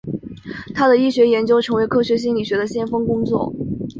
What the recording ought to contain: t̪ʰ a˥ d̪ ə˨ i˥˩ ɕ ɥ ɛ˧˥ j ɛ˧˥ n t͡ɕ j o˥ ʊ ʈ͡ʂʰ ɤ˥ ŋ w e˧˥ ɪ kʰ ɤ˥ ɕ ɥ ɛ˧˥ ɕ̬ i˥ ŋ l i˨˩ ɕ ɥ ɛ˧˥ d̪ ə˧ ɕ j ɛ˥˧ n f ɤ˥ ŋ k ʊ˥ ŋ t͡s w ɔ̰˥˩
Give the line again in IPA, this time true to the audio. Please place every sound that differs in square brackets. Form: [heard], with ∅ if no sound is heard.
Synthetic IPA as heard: t̪ʰ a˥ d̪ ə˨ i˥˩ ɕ ɥ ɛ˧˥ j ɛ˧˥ n t͡ɕ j o˥ ʊ ʈ͡ʂʰ [ɤ˧˥] ŋ w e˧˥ ɪ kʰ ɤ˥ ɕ ɥ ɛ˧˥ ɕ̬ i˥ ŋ l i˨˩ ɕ ɥ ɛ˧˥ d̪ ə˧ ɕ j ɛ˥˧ n f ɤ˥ ŋ k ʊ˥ ŋ t͡s w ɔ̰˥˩